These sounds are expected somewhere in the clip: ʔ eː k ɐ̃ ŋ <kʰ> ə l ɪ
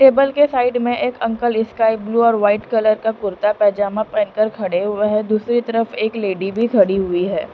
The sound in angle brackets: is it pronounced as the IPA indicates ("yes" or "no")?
no